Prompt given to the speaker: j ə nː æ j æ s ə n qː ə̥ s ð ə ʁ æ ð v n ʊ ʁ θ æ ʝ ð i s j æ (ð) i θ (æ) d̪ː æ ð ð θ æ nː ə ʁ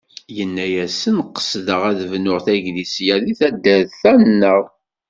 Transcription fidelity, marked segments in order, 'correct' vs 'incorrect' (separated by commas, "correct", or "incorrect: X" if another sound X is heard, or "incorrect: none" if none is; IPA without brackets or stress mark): correct, correct